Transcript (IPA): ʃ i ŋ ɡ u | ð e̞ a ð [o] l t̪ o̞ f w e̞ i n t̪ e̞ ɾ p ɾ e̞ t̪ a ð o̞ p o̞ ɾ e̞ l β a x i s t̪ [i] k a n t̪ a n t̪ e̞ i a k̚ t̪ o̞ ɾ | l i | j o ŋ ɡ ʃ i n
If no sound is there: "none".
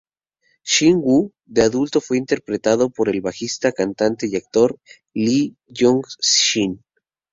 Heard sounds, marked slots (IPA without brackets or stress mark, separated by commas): u, a